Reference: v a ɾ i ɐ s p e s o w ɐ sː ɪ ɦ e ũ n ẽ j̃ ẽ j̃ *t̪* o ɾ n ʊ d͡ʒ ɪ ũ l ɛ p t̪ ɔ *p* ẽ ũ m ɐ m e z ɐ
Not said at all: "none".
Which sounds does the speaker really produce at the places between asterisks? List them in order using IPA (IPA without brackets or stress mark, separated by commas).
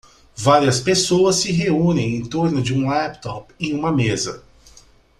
t̪, p